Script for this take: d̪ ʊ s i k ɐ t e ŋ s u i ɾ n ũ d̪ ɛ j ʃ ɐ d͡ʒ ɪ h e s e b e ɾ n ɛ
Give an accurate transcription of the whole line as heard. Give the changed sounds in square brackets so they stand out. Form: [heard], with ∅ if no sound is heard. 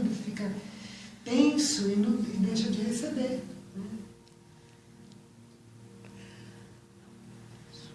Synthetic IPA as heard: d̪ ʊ [f] i k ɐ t [ẽ] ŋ s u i [∅] n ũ d̪ [e] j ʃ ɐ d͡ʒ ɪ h e s e b e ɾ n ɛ